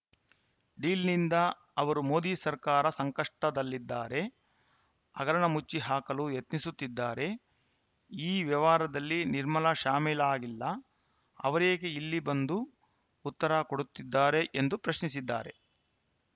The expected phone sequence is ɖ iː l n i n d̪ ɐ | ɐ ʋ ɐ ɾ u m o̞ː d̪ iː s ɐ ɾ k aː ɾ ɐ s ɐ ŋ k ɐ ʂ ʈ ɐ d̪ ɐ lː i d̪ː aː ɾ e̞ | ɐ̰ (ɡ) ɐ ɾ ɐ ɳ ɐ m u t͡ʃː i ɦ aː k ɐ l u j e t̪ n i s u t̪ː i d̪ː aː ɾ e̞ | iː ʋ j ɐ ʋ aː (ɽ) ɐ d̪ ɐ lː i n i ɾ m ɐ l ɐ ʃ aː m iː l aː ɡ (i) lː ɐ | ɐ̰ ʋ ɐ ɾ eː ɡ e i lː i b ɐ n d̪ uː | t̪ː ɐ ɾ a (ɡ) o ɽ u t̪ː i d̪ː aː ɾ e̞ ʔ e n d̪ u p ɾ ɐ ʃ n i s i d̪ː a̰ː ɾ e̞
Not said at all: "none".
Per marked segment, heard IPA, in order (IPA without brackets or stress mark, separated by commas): ɡ, ɾ, i, k